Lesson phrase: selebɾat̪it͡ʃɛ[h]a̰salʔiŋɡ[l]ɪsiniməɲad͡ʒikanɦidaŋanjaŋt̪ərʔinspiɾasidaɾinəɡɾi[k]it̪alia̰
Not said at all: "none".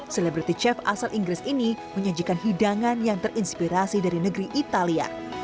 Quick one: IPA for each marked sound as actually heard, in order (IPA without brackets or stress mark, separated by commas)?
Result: f, ɾ, ʔ